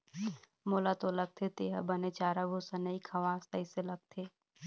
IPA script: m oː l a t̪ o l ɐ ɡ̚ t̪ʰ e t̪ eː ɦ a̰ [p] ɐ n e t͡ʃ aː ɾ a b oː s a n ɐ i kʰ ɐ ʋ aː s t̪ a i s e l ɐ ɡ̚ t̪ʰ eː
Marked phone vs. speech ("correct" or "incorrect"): incorrect